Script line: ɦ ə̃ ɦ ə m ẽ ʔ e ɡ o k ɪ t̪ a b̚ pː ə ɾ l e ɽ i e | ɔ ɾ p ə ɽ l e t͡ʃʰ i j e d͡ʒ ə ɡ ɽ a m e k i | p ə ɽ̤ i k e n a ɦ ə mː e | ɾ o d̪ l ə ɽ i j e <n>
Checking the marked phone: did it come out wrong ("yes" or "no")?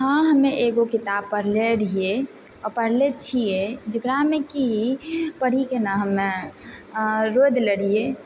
yes